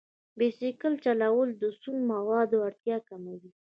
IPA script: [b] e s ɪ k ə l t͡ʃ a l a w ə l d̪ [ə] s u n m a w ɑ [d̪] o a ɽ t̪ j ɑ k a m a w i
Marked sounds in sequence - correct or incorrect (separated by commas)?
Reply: correct, correct, correct